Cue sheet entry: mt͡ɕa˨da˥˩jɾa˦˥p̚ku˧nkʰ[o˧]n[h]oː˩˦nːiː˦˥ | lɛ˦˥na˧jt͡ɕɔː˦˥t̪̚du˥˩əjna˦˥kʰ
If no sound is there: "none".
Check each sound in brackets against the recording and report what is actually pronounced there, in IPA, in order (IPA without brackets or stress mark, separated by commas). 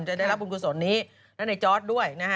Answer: u˧, s